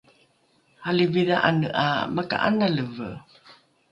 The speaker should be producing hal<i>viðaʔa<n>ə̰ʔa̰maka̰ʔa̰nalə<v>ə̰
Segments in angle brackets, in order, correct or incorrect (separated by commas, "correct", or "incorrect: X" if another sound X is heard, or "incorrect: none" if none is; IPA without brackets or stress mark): correct, correct, correct